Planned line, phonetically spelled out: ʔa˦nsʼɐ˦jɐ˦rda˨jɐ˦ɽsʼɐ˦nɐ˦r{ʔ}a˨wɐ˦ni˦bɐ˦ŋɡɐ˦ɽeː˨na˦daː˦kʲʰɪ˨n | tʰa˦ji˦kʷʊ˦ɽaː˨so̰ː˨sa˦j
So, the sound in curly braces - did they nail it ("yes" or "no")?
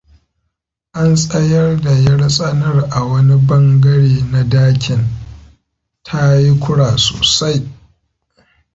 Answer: yes